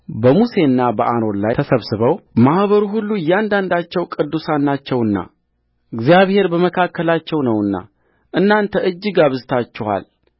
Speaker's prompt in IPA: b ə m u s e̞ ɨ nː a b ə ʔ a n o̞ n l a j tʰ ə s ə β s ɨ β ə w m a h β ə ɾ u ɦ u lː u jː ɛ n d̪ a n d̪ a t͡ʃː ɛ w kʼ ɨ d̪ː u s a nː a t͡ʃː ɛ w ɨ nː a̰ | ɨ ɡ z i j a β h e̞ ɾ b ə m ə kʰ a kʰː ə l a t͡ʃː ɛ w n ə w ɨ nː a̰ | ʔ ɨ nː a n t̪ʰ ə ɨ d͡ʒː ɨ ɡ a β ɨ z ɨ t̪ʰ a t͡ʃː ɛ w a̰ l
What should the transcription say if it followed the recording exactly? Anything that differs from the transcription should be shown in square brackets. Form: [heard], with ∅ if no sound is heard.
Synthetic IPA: b ə m u s e̞ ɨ nː a b ə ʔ a n o̞ n l a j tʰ ə s ə β s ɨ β ə w m a h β ə ɾ u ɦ u lː u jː [a] n d̪ a n d̪ a t͡ʃː ɛ w kʼ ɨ d̪ː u s a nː a t͡ʃː ɛ w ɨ nː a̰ | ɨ ɡ z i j a β h e̞ ɾ b ə m ə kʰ a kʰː ə l a t͡ʃː ɛ w n ə w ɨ nː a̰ | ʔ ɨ nː a n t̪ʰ ə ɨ d͡ʒː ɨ ɡ a β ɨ z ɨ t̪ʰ a t͡ʃː ɛ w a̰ l